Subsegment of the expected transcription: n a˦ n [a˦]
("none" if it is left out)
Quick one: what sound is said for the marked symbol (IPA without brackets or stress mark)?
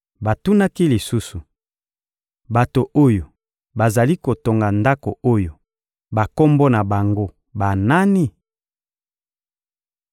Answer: i˦